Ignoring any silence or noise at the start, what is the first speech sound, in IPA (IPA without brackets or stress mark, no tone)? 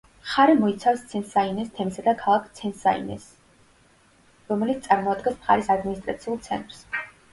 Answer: χ